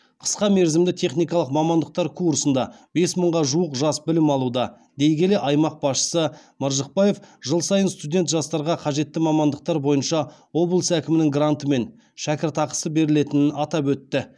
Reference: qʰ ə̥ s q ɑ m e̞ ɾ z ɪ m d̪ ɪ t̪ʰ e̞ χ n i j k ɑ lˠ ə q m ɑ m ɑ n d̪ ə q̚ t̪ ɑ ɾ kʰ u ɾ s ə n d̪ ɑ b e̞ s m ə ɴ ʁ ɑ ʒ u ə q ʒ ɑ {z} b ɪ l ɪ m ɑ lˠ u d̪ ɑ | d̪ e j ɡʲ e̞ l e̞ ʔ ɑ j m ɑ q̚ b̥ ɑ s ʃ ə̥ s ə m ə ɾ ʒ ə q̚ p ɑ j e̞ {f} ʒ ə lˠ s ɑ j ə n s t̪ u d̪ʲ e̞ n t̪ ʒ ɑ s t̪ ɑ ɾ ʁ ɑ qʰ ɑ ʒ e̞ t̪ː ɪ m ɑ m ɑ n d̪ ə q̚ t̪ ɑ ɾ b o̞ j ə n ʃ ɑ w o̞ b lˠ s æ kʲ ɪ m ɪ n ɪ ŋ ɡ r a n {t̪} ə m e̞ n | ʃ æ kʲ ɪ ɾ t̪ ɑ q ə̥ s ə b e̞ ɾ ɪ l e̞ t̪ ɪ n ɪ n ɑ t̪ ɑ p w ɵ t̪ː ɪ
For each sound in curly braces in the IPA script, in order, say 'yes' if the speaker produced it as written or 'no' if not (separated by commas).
no, yes, yes